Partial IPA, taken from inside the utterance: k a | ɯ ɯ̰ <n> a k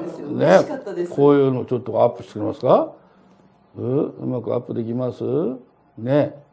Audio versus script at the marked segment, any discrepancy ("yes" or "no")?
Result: yes